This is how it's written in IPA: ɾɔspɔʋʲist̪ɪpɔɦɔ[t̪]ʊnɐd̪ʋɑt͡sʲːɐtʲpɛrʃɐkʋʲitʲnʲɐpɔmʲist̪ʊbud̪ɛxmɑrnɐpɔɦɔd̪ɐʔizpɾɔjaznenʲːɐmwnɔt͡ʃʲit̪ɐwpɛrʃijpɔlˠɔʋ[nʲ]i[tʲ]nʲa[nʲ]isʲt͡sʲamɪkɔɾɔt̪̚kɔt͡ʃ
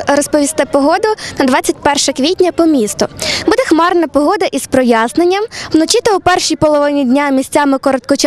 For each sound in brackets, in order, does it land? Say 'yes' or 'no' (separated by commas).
no, yes, no, no